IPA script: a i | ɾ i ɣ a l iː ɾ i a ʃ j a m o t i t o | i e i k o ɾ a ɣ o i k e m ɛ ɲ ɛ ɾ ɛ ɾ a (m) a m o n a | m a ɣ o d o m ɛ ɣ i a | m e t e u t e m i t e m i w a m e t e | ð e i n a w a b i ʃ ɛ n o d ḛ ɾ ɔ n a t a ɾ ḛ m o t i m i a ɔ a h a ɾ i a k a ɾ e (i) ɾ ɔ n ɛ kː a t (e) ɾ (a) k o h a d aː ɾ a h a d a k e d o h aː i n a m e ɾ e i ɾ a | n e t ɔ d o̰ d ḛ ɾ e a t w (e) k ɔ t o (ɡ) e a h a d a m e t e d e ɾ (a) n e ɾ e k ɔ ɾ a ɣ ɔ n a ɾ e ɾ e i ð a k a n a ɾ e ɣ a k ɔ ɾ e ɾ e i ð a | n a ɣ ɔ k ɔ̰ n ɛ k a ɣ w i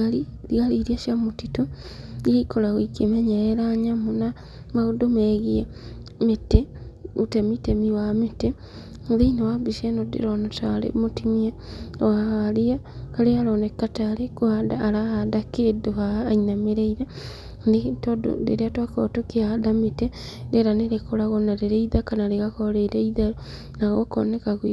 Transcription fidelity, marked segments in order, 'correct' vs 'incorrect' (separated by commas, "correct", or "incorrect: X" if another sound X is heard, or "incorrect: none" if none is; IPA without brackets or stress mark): incorrect: ɲ, incorrect: a, incorrect: a, incorrect: e, incorrect: a, incorrect: k, correct